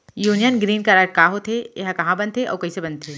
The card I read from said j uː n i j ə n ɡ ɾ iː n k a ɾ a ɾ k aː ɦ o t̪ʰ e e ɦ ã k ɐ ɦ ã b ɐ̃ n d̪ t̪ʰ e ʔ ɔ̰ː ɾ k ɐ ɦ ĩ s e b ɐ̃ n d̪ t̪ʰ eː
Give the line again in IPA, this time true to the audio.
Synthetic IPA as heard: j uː n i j ə n ɡ ɾ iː n k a ɾ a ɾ k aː ɦ o t̪ʰ e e ɦ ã k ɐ ɦ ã b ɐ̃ n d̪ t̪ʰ e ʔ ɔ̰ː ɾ k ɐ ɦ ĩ s e b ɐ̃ n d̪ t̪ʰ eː